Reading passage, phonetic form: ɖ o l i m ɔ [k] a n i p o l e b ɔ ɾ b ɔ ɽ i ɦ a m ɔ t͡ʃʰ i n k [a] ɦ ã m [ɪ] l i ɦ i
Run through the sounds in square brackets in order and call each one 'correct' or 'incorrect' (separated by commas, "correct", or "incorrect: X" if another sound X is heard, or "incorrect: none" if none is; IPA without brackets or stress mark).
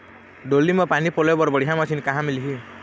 incorrect: p, correct, incorrect: i